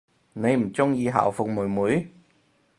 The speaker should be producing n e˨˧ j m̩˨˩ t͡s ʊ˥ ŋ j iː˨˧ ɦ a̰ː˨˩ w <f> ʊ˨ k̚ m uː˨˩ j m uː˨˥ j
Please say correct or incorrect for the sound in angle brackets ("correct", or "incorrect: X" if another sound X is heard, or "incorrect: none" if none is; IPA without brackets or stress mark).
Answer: correct